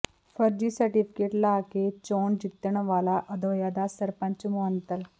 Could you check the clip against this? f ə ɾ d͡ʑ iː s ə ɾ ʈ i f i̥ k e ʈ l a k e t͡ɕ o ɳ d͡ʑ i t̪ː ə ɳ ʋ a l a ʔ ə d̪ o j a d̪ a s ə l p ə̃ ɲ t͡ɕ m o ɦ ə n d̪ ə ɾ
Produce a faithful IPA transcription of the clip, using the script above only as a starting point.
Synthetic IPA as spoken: f ə ɾ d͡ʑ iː s ə ɾ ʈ i f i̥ k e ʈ l a k e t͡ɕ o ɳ d͡ʑ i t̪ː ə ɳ ʋ a l a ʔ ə d̪ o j a d̪ a s ə ɾ p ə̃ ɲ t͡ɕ m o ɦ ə n t̪ ə l

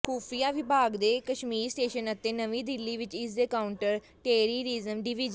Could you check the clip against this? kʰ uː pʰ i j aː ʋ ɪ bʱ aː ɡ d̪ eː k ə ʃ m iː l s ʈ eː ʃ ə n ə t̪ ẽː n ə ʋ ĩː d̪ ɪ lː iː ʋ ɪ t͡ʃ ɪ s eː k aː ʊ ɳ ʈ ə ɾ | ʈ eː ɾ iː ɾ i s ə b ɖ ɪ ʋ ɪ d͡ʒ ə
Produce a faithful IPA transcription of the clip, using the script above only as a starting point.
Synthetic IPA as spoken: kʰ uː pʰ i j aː ʋ ɪ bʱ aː ɡ d̪ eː k ə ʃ m iː ɾ s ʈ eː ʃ ə n ə t̪ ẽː n ə ʋ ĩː d̪ ɪ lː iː ʋ ɪ t͡ʃ ɪ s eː k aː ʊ ɳ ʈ ə ɾ | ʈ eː ɾ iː ɾ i z ə m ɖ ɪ ʋ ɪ d͡ʒ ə

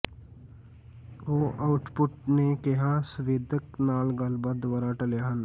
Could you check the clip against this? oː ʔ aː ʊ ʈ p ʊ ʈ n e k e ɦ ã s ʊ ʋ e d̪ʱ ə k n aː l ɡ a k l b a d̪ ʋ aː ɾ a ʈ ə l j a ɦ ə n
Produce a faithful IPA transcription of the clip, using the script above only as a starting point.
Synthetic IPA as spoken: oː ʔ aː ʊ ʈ p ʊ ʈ n e k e ɦ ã s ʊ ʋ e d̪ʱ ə k n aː l ɡ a l b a d̪ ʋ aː ɾ a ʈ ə l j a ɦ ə n

